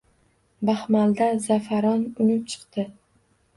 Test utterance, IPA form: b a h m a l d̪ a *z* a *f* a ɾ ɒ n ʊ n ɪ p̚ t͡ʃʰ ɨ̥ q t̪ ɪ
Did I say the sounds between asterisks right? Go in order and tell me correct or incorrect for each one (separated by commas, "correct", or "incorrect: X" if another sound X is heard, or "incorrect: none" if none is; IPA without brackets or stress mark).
correct, correct